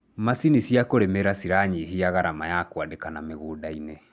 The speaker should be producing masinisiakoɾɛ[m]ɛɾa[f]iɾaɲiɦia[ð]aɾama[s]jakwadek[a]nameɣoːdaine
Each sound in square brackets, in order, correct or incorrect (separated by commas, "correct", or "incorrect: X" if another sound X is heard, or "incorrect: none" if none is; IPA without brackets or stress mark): correct, incorrect: s, incorrect: ɣ, incorrect: none, correct